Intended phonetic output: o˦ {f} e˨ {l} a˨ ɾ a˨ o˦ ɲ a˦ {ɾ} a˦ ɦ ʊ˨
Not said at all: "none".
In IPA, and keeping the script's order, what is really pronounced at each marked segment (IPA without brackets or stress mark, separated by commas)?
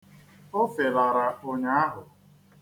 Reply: f, l, none